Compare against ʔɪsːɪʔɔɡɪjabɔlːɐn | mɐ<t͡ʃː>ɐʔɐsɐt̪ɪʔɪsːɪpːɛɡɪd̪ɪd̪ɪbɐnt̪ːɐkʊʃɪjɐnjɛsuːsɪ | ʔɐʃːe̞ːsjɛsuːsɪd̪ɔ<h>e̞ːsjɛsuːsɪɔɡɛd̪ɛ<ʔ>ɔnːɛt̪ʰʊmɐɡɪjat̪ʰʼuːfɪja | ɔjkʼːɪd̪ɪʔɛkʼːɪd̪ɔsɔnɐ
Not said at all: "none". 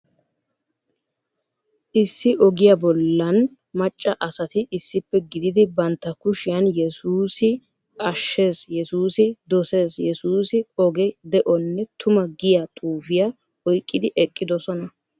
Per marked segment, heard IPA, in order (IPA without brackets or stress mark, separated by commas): t͡ʃʼː, s, ʔ